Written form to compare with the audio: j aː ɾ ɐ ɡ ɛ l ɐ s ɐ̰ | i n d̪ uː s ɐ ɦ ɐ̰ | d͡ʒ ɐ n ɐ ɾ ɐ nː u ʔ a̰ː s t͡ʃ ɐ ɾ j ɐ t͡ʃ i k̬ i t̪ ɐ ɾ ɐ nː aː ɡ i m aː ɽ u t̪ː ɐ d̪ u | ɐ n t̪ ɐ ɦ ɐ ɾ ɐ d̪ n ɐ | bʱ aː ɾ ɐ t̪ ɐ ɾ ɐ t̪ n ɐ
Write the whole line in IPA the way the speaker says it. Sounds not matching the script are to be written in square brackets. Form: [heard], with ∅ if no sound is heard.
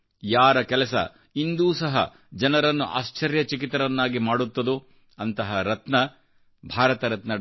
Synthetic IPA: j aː ɾ ɐ [k] ɛ l ɐ s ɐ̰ | i n d̪ uː s ɐ ɦ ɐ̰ | d͡ʒ ɐ n ɐ ɾ ɐ nː u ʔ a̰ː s t͡ʃ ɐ ɾ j ɐ t͡ʃ i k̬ i t̪ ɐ ɾ ɐ nː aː ɡ i m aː ɽ u t̪ː ɐ d̪ u | ɐ n t̪ ɐ ɦ ɐ ɾ ɐ [t̪] n ɐ | bʱ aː ɾ ɐ t̪ ɐ ɾ ɐ t̪ n ɐ